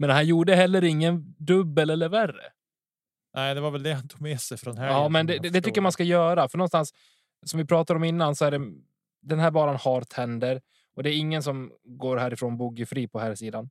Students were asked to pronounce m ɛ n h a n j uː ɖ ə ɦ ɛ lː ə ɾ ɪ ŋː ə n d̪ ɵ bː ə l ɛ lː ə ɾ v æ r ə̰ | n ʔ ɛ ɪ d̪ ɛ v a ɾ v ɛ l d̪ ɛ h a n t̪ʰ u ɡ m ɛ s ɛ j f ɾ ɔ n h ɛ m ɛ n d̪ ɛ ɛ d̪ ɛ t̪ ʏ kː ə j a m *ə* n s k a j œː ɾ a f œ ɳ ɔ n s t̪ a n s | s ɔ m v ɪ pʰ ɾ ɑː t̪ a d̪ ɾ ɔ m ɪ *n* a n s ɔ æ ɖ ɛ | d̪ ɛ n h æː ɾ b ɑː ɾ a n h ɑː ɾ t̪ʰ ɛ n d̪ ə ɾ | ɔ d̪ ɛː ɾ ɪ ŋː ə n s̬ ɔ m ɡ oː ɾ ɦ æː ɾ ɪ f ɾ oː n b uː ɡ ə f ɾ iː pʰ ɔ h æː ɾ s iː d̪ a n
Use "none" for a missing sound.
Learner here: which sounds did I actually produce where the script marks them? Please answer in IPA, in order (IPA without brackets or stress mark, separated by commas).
a, nː